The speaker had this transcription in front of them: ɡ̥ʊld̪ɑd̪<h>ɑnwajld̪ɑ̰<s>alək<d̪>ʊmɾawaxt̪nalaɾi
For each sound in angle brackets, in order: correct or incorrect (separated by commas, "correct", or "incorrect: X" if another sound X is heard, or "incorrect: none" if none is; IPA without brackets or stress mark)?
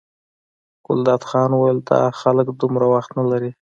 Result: incorrect: x, incorrect: x, correct